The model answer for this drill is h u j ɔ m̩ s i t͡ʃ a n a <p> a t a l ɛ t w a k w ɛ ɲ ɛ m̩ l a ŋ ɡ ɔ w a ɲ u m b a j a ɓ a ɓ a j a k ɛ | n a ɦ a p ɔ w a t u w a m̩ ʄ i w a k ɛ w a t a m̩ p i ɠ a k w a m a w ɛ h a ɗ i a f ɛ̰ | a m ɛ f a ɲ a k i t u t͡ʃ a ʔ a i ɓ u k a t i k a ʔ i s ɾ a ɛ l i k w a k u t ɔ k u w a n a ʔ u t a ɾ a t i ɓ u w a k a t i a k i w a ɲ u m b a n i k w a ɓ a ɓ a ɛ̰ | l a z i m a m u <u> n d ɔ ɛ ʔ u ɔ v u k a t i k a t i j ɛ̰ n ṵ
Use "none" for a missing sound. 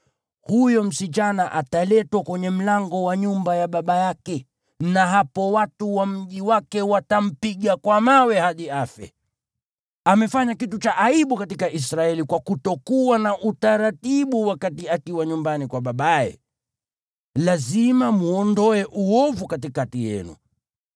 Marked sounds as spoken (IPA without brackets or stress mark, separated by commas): ʔ, ɔ